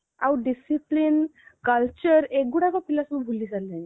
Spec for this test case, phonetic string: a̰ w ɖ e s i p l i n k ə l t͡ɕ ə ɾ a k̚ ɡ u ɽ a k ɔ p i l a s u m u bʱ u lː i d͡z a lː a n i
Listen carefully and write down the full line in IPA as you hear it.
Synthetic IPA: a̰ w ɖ i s i p l i n k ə l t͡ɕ ə ɾ e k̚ ɡ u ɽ a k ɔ p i l a s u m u bʱ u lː i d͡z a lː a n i